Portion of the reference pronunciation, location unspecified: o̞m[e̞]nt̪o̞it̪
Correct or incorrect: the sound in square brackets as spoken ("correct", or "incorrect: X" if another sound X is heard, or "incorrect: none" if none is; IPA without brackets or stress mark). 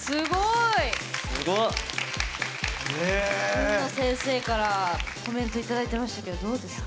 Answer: incorrect: ẽ̞